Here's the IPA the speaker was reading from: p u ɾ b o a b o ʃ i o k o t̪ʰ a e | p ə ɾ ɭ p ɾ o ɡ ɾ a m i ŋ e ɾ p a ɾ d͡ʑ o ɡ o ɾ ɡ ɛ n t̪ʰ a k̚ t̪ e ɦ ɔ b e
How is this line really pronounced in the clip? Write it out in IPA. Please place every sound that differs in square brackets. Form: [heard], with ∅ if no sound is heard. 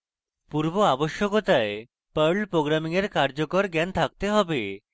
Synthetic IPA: p u ɾ b o a b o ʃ [j] o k o [t̪] a e | p ə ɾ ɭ p ɾ o ɡ ɾ a m i ŋ e ɾ [k] a ɾ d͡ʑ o [k] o ɾ ɡ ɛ n t̪ʰ a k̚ t̪ e ɦ ɔ b e